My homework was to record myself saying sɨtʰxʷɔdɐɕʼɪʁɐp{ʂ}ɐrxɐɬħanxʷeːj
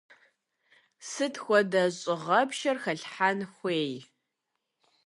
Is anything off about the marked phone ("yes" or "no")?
yes